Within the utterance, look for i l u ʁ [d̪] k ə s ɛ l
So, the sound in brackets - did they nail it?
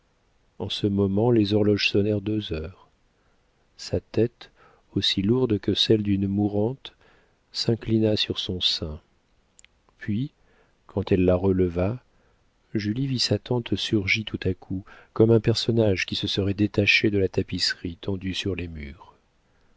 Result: yes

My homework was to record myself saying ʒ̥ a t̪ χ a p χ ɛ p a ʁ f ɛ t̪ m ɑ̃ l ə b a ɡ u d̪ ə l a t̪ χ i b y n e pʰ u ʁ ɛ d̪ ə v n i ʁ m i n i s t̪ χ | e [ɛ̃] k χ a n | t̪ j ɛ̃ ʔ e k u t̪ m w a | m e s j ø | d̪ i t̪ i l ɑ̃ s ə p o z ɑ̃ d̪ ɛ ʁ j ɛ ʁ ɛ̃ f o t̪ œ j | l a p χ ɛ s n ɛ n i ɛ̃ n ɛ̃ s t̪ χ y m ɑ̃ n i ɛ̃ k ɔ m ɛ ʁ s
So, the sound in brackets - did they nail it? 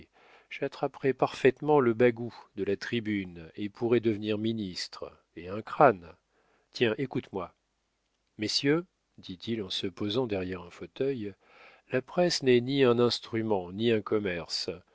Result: yes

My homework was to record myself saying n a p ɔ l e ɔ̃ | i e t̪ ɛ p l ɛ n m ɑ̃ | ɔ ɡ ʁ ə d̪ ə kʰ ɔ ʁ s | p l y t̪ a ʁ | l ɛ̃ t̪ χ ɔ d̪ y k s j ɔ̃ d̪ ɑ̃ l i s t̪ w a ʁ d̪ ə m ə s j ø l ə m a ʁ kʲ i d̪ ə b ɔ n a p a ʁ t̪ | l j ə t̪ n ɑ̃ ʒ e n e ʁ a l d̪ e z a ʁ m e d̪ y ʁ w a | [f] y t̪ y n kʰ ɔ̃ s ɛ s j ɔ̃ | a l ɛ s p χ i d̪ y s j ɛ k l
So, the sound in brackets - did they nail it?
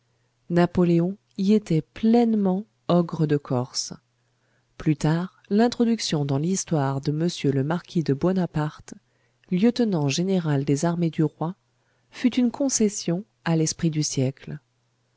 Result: yes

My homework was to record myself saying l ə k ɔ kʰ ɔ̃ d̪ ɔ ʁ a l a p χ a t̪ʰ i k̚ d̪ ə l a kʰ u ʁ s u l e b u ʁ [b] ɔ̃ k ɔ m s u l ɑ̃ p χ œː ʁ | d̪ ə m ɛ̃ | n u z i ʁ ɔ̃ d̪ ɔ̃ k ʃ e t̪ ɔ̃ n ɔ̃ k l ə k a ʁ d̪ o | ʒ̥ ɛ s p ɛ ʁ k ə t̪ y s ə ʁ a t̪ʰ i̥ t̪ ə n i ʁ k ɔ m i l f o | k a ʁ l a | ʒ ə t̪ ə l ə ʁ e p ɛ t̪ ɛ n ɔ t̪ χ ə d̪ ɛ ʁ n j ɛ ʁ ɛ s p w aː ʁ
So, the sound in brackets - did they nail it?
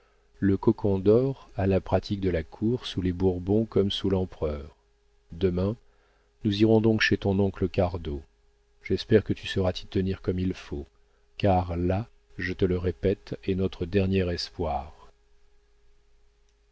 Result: yes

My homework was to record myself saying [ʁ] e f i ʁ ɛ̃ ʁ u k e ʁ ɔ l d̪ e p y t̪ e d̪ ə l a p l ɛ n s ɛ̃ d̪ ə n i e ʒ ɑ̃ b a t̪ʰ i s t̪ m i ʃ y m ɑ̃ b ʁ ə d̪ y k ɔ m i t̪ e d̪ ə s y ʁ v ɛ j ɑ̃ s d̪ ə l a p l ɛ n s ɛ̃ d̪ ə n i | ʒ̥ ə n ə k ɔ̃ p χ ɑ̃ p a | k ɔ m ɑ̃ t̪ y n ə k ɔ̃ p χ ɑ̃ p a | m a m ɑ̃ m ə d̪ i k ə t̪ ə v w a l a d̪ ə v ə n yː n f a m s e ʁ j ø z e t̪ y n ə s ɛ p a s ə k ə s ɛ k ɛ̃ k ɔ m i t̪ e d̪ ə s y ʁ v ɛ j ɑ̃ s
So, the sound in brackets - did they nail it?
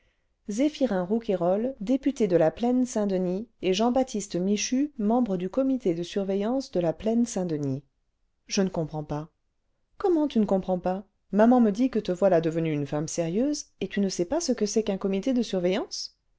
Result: no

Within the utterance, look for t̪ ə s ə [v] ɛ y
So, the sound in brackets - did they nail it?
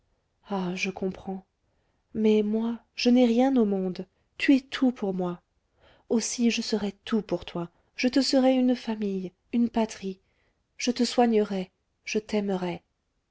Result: no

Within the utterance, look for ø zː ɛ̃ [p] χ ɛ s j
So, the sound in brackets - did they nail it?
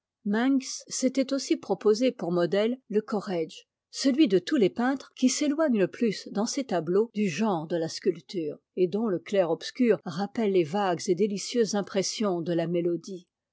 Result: yes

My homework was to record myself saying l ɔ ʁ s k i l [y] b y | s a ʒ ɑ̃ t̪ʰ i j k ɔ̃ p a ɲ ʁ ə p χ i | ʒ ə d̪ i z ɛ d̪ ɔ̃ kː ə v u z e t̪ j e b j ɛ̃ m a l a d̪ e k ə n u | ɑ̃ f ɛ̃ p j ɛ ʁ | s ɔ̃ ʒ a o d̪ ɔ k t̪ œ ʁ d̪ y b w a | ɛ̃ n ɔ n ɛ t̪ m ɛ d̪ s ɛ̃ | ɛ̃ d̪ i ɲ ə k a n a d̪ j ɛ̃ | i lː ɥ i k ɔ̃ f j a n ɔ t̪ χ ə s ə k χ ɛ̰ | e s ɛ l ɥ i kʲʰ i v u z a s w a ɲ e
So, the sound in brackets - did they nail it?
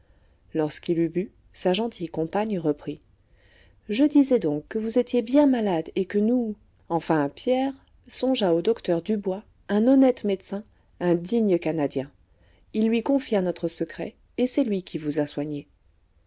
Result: yes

